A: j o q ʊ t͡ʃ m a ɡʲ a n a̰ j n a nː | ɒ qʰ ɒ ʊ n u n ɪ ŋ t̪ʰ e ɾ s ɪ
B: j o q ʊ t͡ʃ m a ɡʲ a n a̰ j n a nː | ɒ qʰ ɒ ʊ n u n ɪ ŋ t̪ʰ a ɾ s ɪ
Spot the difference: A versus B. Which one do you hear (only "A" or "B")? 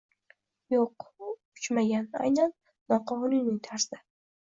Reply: B